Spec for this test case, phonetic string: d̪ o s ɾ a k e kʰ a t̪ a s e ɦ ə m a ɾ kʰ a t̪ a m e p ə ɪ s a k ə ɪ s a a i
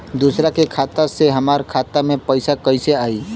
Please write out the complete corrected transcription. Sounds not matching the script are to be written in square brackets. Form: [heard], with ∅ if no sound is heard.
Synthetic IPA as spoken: d̪ [u] s ɾ a k e kʰ a t̪ a s e ɦ ə m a ɾ kʰ a t̪ a m e p ə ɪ s a k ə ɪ s [e] a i